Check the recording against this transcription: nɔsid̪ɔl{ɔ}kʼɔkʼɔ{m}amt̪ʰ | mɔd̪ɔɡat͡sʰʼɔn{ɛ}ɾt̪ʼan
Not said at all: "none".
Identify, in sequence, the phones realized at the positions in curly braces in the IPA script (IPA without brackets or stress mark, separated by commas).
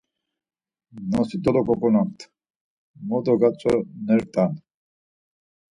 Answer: ɔ, n, ɛ